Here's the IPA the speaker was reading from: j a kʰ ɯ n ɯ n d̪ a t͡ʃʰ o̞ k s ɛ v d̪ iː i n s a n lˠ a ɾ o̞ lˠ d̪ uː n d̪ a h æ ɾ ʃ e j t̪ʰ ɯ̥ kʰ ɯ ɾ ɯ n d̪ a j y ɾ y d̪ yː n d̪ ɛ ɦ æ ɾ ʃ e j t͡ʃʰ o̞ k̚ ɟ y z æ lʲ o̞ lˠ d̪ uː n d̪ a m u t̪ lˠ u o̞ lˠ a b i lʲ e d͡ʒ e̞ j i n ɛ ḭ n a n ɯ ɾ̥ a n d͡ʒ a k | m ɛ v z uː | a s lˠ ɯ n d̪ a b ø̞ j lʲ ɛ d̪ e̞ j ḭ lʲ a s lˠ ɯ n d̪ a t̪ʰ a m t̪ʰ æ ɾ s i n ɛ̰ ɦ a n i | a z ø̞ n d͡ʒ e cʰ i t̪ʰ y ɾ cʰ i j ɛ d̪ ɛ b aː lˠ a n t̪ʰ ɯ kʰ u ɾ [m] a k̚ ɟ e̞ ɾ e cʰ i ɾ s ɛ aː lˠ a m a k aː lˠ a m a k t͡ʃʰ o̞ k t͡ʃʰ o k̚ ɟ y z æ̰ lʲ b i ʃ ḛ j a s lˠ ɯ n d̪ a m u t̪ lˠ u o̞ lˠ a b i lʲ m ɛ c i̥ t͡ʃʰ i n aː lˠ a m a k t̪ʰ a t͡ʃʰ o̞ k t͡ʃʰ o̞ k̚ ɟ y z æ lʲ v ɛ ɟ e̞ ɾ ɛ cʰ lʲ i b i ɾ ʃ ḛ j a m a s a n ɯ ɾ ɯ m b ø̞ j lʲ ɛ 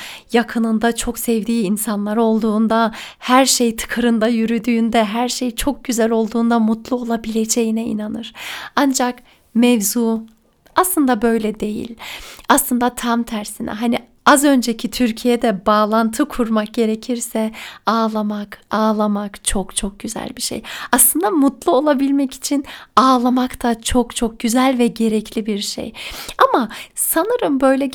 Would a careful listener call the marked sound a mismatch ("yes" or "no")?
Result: no